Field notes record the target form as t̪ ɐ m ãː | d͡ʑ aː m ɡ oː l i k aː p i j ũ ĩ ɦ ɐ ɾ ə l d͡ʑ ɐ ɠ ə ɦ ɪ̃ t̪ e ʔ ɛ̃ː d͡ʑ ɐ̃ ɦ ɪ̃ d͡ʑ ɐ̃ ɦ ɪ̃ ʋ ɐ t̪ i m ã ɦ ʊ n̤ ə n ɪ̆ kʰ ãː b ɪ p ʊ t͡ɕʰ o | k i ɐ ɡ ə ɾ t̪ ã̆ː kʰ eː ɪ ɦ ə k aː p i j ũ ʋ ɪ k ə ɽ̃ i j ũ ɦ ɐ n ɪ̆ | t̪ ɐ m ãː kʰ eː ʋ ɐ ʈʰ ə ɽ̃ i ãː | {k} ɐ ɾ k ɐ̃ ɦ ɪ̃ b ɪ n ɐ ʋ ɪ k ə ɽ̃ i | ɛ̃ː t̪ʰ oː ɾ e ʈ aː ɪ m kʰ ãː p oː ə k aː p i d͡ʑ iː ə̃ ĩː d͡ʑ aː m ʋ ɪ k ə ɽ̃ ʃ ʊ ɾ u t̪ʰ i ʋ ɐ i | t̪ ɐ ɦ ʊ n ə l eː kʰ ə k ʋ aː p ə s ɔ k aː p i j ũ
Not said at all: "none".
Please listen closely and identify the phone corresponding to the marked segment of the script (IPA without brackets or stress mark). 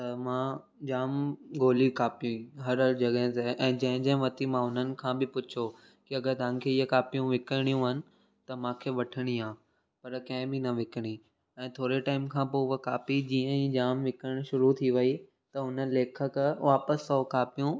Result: p